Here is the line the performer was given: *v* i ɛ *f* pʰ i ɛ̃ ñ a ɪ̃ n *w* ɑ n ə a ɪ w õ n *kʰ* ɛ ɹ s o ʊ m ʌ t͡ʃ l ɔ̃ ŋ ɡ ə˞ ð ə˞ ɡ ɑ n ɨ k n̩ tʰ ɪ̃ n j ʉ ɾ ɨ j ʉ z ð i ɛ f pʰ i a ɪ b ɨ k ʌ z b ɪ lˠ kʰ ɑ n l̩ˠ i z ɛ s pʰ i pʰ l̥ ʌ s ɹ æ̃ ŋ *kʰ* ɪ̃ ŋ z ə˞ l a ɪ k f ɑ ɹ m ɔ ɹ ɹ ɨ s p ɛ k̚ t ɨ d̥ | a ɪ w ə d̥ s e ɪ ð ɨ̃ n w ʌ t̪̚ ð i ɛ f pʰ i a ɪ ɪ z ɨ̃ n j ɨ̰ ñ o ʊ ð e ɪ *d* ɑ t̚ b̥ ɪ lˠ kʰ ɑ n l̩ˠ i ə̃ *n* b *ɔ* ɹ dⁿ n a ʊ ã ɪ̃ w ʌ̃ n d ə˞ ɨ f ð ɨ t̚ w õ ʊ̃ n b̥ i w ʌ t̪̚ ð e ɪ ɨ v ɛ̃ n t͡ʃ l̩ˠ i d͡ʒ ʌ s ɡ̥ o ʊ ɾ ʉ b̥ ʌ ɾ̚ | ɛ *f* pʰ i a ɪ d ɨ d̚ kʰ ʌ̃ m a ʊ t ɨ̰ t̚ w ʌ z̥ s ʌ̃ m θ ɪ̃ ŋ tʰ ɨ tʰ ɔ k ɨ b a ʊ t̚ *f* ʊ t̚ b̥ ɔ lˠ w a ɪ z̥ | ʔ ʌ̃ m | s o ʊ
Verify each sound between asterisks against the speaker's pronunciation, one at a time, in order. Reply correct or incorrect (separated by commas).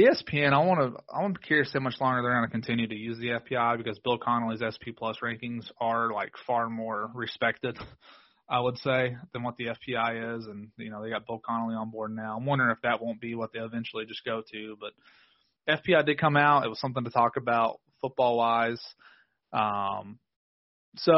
incorrect, incorrect, correct, correct, incorrect, incorrect, correct, correct, correct, correct